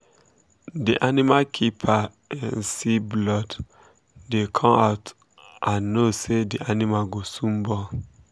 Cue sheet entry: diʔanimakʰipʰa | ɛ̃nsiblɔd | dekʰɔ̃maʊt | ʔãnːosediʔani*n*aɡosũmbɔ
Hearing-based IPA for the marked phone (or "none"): m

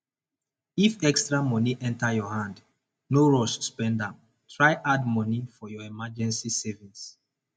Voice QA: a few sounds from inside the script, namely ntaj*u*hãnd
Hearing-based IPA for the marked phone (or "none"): ɔ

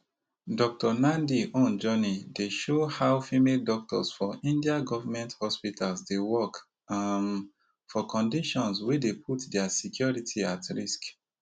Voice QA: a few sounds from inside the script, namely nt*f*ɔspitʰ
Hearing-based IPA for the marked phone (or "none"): h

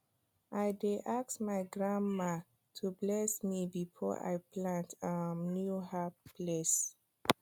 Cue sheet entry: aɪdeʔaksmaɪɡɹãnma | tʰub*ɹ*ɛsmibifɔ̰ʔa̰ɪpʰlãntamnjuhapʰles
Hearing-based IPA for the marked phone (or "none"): l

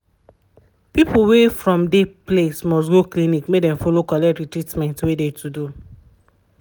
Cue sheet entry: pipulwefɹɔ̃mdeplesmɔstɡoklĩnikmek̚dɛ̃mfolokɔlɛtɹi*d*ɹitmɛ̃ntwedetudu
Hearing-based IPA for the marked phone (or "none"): t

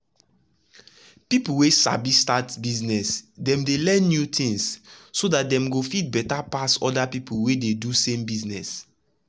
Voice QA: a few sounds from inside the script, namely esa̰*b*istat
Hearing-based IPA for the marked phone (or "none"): b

